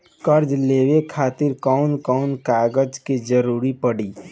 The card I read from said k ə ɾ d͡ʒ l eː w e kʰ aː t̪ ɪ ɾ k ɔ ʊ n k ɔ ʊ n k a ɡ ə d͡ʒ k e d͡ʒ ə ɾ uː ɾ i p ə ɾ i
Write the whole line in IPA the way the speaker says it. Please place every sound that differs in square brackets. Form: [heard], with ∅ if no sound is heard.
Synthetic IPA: k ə ɾ d͡ʒ l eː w e kʰ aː t̪ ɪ ɾ k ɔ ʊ n k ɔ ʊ n k a ɡ ə d͡ʒ k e d͡ʒ ə ɾ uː ɾ i p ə [ɽ] i